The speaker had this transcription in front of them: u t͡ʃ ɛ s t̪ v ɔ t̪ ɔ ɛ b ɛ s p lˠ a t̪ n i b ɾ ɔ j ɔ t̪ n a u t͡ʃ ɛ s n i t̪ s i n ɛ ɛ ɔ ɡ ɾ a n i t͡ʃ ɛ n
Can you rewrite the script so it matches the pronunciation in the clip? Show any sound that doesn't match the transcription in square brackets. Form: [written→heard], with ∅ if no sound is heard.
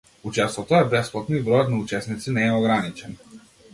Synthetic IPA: u t͡ʃ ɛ s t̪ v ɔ t̪ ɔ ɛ b ɛ s p lˠ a t̪ n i b ɾ ɔ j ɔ t̪ n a u t͡ʃ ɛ s n i t̪ s i n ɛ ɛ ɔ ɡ ɾ a n i t͡ʃ ɛ n